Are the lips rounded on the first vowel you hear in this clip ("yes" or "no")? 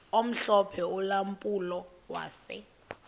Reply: yes